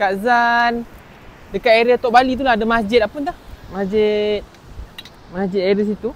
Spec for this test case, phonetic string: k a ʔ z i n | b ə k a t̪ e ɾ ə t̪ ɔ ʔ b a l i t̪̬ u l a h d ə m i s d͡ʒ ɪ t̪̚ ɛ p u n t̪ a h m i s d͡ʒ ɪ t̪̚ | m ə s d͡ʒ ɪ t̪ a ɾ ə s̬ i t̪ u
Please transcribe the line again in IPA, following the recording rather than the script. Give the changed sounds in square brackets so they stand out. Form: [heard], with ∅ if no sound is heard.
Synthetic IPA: k a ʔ z [a] n | [d] ə k a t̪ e ɾ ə t̪ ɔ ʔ b a l i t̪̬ u l a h d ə m [a] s d͡ʒ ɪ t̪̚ [a] p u n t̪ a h m [a] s d͡ʒ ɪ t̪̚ | m [a] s d͡ʒ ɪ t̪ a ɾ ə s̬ i t̪ u